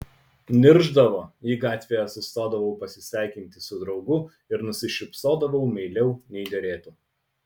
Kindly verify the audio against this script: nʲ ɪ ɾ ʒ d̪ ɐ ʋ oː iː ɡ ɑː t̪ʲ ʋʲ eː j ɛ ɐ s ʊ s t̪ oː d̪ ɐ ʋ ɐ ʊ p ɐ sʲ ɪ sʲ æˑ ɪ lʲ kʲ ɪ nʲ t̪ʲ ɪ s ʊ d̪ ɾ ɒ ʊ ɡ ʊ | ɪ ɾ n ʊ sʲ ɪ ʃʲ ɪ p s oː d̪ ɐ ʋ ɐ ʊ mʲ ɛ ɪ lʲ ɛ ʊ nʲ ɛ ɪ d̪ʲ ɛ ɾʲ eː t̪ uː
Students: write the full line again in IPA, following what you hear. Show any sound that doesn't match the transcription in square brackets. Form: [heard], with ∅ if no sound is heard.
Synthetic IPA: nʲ ɪ ɾ ʒ d̪ ɐ ʋ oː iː ɡ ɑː t̪ʲ ʋʲ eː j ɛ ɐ s ʊ s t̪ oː d̪ ɐ ʋ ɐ ʊ p ɐ sʲ ɪ sʲ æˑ ɪ [∅] kʲ ɪ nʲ t̪ʲ ɪ s ʊ d̪ ɾ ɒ ʊ ɡ ʊ | ɪ ɾ n ʊ sʲ ɪ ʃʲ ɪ p s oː d̪ ɐ ʋ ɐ ʊ mʲ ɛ ɪ lʲ ɛ ʊ nʲ ɛ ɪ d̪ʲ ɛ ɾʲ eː t̪ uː